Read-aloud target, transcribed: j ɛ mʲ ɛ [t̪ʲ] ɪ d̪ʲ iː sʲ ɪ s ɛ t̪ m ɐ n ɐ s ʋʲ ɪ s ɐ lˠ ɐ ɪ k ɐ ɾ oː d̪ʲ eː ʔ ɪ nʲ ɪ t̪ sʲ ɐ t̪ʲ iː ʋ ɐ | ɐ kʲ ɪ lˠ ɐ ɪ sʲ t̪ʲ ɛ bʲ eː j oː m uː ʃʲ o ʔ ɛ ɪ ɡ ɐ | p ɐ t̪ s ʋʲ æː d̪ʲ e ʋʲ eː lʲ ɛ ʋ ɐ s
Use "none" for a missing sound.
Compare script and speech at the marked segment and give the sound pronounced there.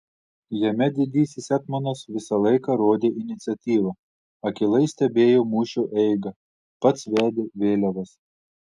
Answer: d̪ʲ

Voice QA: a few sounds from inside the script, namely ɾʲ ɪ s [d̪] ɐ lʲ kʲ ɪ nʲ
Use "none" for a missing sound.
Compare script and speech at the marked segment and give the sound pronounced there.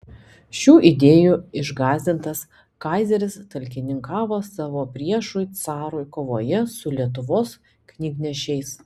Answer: t̪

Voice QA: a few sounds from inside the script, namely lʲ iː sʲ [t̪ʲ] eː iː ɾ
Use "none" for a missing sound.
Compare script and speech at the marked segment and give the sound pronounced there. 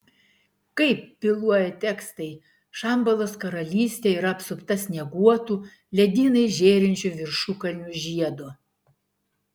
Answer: t̪ʲ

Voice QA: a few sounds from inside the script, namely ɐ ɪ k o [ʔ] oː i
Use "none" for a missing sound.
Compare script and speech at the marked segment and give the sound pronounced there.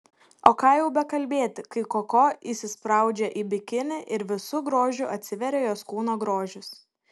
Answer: k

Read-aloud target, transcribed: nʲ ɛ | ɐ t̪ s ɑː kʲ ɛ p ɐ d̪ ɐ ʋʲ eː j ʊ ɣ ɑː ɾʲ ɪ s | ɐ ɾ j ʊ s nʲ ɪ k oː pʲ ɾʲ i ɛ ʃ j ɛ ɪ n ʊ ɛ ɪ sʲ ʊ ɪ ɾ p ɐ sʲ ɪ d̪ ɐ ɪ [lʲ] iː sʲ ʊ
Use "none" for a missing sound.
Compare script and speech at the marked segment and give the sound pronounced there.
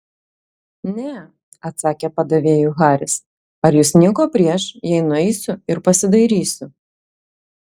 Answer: ɾʲ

